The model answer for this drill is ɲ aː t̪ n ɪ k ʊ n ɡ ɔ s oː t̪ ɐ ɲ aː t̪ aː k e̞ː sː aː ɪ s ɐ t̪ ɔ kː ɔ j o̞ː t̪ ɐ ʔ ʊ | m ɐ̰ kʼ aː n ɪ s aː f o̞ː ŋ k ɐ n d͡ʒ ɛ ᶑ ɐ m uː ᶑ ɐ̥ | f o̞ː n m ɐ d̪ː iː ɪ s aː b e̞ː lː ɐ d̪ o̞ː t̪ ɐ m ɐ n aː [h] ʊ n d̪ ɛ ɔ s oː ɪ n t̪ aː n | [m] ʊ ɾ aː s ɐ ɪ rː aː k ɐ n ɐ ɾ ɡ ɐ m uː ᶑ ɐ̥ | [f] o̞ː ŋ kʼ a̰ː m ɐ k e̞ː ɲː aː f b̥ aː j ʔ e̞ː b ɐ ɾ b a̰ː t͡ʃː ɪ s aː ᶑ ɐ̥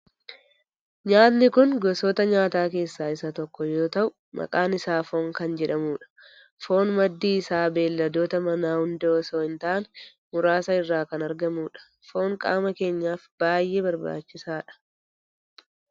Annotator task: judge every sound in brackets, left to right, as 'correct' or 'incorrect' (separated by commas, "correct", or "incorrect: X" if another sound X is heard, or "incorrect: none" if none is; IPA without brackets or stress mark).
correct, correct, correct